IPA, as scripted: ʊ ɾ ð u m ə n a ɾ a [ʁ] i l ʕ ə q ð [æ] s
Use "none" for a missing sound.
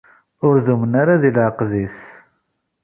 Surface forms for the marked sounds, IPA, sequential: ð, i

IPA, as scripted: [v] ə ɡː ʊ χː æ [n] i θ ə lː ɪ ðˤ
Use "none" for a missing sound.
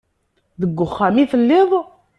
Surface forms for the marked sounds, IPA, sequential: ð, m

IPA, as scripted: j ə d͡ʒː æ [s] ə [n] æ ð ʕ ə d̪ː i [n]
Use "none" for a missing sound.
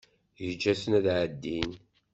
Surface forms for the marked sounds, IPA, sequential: s, n, n

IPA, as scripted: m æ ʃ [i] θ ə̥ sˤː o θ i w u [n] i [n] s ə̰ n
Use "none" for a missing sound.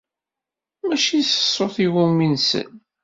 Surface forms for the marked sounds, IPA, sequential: i, m, n

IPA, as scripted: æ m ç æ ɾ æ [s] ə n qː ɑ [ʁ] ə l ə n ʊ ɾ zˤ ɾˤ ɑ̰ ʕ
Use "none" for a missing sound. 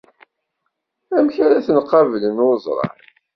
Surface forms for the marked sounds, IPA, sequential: θ, v

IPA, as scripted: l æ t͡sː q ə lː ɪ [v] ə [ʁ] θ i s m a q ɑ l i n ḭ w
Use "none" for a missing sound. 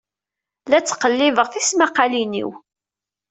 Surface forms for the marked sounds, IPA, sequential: v, ʁ

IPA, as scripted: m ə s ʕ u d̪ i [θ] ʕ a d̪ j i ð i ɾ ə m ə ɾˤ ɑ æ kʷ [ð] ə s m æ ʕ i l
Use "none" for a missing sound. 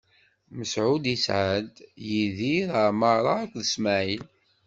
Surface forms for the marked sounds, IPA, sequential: s, ð

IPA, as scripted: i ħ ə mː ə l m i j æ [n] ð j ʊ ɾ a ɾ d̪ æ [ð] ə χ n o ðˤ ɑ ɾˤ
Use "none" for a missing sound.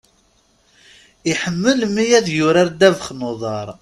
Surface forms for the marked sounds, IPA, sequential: none, v

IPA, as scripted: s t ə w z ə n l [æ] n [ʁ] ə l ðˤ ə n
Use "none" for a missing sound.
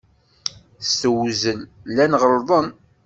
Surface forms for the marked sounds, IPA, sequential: æ, ʁ

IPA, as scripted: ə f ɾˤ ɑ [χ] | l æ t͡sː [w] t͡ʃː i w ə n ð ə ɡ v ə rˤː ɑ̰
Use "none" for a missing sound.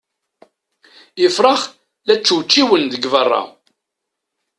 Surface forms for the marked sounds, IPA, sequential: χ, w

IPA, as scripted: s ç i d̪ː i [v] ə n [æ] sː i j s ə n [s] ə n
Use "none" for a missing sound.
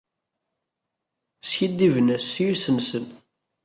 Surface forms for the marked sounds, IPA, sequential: v, æ, s

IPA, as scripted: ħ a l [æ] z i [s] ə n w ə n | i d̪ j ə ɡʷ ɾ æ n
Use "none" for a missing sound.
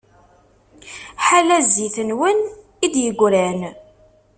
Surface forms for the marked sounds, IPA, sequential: æ, θ

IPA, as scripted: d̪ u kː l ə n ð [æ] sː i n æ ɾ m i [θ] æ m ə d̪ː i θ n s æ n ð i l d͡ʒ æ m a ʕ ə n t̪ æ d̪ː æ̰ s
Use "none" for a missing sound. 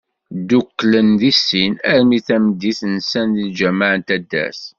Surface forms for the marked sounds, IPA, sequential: i, θ

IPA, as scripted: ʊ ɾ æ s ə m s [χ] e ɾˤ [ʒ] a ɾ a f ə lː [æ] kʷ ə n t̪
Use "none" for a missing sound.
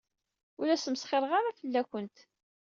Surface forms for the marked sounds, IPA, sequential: χ, ʁ, æ

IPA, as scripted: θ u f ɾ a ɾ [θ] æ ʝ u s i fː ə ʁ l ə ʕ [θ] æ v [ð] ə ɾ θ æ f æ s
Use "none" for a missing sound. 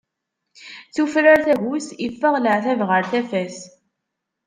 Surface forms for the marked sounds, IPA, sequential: θ, θ, ʁ

